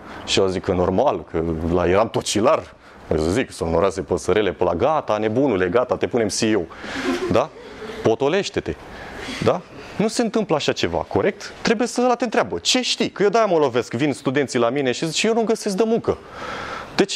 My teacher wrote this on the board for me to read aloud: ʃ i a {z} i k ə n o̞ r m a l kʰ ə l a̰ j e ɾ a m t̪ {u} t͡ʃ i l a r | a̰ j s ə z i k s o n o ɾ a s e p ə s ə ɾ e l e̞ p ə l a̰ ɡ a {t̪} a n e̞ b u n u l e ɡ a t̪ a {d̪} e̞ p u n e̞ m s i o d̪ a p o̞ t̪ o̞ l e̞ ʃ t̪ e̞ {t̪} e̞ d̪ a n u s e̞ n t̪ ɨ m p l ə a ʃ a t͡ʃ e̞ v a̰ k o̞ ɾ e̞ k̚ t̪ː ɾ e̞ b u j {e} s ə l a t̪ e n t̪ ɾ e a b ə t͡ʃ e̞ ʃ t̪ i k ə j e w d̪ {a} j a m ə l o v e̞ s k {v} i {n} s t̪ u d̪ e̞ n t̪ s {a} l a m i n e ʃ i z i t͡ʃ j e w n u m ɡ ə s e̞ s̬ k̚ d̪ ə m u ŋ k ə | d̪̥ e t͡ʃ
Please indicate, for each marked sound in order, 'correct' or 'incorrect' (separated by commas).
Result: correct, incorrect, correct, incorrect, correct, correct, correct, correct, correct, incorrect